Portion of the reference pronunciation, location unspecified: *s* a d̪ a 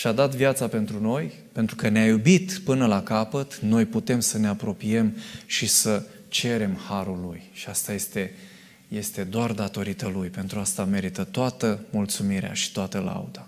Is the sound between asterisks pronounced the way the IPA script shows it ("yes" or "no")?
no